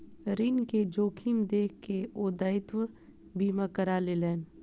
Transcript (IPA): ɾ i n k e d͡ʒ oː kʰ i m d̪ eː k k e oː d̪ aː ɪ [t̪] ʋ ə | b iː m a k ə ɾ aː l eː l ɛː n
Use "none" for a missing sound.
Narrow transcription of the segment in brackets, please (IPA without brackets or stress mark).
t̪